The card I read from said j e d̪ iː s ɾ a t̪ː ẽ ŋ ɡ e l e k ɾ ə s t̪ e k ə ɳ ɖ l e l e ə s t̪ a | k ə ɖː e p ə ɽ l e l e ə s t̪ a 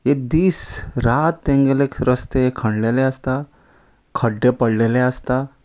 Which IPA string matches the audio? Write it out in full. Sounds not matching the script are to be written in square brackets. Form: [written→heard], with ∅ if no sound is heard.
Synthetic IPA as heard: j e d̪ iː s ɾ a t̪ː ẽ ŋ ɡ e l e k ɾ ə s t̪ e [k→kʰ] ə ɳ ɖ l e l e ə s t̪ a | [k→kʰ] ə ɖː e p ə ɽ l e l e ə s t̪ a